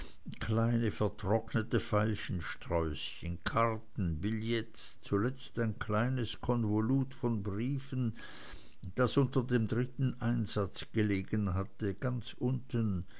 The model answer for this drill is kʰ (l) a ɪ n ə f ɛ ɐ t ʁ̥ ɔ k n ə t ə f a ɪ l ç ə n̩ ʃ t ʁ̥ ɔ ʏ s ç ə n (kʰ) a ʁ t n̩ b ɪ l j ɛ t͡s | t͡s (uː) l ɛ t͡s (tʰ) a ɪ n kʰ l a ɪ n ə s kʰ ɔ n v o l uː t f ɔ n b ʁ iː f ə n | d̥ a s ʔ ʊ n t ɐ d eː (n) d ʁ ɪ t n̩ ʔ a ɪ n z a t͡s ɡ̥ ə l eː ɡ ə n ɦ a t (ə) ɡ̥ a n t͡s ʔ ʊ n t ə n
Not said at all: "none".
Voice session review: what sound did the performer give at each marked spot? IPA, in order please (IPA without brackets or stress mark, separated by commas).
l, kʰ, u, t, m, ə